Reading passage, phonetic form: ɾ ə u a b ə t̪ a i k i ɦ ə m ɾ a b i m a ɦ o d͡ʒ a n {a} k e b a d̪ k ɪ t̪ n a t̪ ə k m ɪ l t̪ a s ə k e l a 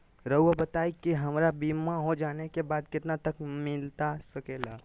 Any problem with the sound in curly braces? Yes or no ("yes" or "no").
yes